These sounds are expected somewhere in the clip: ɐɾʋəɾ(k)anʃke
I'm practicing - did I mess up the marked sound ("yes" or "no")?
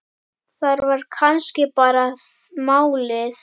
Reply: yes